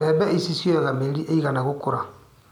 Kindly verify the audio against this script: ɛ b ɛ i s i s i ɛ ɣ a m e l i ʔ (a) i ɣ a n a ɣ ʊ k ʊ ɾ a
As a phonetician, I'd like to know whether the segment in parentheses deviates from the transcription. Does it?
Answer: yes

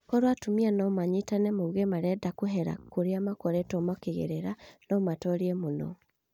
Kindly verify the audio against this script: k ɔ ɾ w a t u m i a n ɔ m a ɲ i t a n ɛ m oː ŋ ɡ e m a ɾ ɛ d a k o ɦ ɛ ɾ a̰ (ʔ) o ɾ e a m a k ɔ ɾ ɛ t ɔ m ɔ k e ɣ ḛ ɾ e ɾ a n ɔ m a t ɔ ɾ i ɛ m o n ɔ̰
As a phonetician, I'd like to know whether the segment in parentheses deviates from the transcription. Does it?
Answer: yes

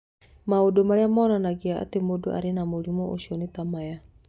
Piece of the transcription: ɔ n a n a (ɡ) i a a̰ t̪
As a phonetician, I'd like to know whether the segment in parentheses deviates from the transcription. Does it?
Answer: no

